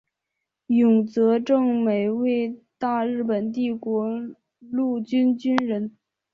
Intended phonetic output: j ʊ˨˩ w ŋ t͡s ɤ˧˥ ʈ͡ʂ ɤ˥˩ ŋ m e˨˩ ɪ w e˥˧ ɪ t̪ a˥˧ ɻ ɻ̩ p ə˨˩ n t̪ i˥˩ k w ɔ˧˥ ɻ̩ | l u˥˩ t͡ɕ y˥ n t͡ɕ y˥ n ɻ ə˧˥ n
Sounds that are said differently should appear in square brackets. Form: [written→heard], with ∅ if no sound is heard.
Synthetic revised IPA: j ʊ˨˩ [w→∅] ŋ t͡s ɤ˧˥ ʈ͡ʂ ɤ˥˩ ŋ m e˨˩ ɪ w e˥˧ ɪ t̪ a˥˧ ɻ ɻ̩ p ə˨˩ n t̪ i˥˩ k w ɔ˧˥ [ɻ̩→∅] | l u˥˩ t͡ɕ y˥ n t͡ɕ y˥ n ɻ ə˧˥ n